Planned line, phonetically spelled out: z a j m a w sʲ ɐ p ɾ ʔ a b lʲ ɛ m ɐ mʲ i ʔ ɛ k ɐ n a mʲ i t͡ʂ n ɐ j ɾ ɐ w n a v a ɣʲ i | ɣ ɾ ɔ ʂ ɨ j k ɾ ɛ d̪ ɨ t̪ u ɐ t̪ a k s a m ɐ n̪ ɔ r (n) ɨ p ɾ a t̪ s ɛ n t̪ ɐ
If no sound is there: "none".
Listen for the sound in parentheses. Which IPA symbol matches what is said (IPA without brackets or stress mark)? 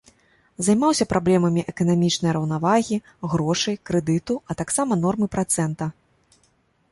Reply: m